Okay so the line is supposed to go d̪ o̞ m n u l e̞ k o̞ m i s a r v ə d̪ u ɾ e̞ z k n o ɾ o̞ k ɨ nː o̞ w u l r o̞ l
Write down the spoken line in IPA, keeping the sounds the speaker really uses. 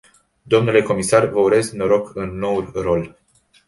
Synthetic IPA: d̪ o̞ m n u l e̞ k o̞ m i s a r v ə u ɾ e̞ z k n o ɾ o̞ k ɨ nː o̞ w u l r o̞ l